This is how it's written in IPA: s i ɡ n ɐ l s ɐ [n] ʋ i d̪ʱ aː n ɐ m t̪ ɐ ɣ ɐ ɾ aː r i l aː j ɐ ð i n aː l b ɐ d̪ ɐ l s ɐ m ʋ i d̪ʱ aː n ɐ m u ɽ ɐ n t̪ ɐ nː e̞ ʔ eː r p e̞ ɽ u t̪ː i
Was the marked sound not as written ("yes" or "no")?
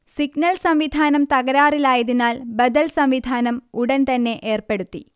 yes